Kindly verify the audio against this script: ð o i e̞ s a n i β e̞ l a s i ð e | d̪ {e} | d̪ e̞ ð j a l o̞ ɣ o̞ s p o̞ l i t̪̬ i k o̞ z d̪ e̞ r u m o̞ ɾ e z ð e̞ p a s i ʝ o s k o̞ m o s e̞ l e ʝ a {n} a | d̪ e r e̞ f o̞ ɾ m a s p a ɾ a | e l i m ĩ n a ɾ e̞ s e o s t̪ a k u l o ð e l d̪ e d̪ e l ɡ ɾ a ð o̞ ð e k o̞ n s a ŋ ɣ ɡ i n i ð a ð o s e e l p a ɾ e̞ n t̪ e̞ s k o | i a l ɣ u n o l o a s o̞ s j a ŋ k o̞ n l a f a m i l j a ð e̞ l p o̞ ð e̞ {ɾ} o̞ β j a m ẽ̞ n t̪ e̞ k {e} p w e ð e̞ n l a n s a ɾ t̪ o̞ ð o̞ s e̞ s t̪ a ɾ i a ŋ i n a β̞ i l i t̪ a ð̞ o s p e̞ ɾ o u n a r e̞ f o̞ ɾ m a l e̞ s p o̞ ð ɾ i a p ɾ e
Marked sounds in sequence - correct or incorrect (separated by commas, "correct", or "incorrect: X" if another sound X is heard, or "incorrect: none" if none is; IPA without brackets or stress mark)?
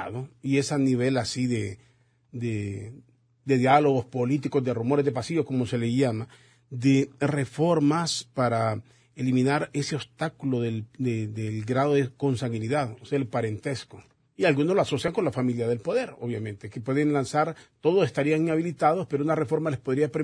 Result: correct, incorrect: m, correct, correct